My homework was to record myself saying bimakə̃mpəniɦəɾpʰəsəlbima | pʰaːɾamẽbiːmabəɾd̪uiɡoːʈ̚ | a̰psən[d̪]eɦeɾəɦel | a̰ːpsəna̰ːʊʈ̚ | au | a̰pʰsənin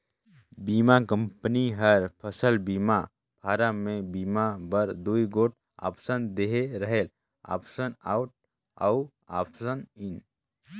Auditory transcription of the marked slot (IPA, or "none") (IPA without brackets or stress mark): d̪